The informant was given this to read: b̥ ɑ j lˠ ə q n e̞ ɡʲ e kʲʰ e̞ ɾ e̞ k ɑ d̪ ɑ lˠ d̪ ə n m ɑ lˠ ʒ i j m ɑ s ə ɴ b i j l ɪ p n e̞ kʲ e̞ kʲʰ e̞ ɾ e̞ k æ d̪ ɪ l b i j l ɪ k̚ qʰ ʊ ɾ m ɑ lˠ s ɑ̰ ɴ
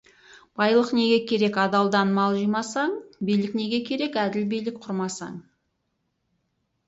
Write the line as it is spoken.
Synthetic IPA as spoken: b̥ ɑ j lˠ ə q n e̞ ɡʲ e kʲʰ e̞ ɾ e̞ k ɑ d̪ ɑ lˠ d̪ ɑ n m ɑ lˠ ʒ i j m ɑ s ɑ ɴ b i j l ɪ k n e̞ ɡʲ e̞ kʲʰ e̞ ɾ e̞ k æ d̪ ɪ l b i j l ɪ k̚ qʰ ʊ ɾ m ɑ s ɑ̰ ɴ